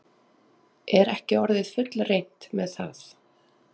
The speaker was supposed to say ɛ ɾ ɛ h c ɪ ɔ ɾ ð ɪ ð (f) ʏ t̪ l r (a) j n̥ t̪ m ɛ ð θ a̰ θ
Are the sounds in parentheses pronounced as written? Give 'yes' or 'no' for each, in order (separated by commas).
yes, no